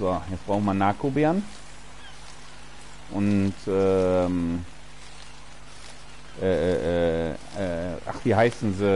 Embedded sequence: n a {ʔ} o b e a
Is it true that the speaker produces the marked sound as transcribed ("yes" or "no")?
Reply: no